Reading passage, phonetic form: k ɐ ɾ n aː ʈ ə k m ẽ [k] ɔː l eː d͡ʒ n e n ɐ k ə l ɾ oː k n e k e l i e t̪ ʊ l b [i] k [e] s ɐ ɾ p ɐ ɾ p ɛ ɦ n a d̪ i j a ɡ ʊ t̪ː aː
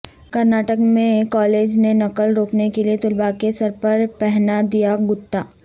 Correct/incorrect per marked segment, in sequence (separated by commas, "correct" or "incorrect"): correct, incorrect, correct